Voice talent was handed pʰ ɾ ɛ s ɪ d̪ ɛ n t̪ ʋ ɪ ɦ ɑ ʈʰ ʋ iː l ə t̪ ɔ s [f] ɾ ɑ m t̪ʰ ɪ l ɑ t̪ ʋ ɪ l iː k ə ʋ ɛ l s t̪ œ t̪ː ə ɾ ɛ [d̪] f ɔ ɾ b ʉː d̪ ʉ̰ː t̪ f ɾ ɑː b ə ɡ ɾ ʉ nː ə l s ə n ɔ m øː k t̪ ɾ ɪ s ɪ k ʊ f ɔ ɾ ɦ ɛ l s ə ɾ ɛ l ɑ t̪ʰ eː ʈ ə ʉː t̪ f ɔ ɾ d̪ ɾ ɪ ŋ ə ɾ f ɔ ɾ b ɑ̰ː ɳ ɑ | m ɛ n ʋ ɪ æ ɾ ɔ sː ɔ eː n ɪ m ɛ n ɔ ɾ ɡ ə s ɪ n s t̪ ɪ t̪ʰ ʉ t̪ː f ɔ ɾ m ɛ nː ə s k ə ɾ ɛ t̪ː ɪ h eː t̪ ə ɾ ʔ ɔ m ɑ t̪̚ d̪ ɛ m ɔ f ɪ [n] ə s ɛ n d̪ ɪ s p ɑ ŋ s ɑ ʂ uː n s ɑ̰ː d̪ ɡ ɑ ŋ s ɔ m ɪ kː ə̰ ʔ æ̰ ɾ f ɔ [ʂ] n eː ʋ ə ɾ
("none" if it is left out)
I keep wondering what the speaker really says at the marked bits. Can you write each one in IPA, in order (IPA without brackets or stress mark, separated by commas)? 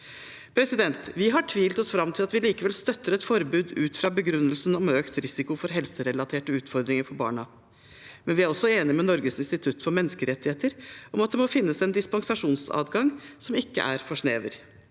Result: f, t̪, nː, ʂ